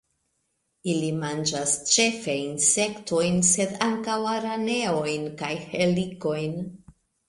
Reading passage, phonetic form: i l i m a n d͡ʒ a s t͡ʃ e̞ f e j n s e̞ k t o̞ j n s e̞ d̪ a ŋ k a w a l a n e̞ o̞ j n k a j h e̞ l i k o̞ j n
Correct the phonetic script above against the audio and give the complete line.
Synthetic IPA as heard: i l i m a n d͡ʒ a s t͡ʃ e̞ f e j n s e̞ k t o̞ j n s e̞ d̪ a ŋ k a w a ɾ a n e̞ o̞ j n k a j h e̞ l i k o̞ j n